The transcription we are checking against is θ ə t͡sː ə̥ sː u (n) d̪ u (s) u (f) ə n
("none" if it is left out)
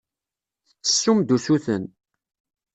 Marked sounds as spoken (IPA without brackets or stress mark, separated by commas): m, s, θ